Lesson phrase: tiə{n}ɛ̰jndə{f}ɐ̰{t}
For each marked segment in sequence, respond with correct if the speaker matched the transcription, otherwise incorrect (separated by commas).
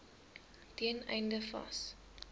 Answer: correct, correct, incorrect